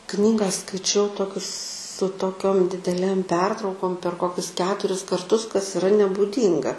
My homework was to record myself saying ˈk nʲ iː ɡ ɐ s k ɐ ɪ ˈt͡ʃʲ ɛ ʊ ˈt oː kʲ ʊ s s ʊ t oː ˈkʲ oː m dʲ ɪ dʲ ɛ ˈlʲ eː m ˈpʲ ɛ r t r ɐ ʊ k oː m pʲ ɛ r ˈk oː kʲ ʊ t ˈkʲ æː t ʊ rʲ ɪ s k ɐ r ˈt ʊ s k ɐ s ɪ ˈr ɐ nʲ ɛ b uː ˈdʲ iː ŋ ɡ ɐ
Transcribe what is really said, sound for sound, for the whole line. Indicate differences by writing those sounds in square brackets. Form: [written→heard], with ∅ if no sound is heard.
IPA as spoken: ˈk nʲ iː ɡ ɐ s k ɐ ɪ ˈt͡ʃʲ ɛ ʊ ˈt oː kʲ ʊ s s ʊ t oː ˈkʲ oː m dʲ ɪ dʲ ɛ ˈlʲ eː m ˈpʲ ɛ r t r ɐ ʊ k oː m pʲ ɛ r ˈk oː kʲ ʊ [t→s] ˈkʲ æː t ʊ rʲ ɪ s k ɐ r ˈt ʊ s k ɐ s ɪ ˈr ɐ nʲ ɛ b uː ˈdʲ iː ŋ ɡ ɐ

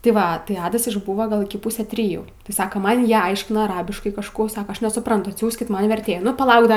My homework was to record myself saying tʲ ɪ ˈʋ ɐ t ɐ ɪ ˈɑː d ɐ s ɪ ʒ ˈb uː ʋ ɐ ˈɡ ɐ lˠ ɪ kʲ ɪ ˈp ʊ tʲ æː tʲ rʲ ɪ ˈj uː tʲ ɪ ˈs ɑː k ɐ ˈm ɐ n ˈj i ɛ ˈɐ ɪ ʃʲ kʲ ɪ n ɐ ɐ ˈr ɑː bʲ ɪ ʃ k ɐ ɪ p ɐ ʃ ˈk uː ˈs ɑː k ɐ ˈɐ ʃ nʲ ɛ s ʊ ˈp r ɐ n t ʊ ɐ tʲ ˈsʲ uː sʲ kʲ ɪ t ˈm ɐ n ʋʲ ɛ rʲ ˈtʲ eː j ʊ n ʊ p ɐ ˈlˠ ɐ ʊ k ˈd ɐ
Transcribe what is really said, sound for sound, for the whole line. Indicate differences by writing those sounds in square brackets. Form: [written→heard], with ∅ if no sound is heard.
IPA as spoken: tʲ ɪ ˈʋ ɐ t ɐ ɪ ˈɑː d ɐ s ɪ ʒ ˈb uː ʋ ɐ ˈɡ ɐ lˠ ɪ kʲ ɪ ˈp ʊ [tʲ→sʲ] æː tʲ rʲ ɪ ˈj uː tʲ ɪ ˈs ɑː k ɐ ˈm ɐ n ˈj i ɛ ˈɐ ɪ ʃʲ kʲ ɪ n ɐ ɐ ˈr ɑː bʲ ɪ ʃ k ɐ ɪ [p→k] ɐ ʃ ˈk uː ˈs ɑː k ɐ ˈɐ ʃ nʲ ɛ s ʊ ˈp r ɐ n t ʊ ɐ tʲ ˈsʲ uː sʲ kʲ ɪ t ˈm ɐ n ʋʲ ɛ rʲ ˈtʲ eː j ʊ n ʊ p ɐ ˈlˠ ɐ ʊ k ˈd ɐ

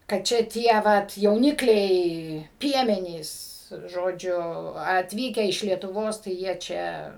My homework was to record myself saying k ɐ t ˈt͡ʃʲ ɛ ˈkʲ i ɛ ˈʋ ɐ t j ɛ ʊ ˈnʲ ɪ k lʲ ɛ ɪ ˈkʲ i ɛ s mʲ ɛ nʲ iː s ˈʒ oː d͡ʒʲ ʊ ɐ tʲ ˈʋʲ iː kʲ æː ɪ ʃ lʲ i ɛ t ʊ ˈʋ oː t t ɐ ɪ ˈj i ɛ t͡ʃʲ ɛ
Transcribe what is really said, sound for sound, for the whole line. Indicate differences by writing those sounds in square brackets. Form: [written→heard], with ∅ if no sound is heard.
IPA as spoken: k ɐ t ˈt͡ʃʲ ɛ [ˈkʲ→ˈtʲ] i ɛ ˈʋ ɐ t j ɛ ʊ ˈnʲ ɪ k lʲ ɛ ɪ [ˈkʲ→ˈpʲ] i ɛ [s→∅] mʲ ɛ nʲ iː s ˈʒ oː d͡ʒʲ ʊ ɐ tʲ ˈʋʲ iː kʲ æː ɪ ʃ lʲ i ɛ t ʊ ˈʋ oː [t→s] t ɐ ɪ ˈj i ɛ t͡ʃʲ ɛ

